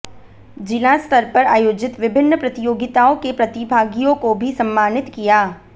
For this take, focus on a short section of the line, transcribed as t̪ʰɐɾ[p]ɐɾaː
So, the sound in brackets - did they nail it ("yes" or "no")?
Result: yes